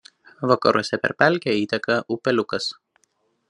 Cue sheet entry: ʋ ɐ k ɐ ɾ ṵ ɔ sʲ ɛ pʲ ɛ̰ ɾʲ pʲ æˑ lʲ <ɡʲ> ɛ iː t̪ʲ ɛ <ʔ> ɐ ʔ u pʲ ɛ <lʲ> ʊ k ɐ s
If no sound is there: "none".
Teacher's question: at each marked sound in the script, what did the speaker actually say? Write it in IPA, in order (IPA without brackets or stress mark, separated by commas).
kʲ, k, lʲ